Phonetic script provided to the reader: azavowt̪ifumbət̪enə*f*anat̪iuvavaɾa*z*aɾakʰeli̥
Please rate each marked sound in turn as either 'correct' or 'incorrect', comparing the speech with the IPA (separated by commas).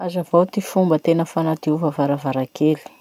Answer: correct, incorrect